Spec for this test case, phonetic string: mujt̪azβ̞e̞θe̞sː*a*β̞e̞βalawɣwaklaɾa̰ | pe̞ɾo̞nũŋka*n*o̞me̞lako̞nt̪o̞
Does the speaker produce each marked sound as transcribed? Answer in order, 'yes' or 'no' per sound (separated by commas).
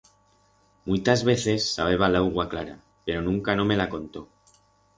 yes, yes